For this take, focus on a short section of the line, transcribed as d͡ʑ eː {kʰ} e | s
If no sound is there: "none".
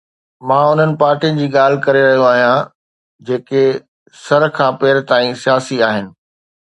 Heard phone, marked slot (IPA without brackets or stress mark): k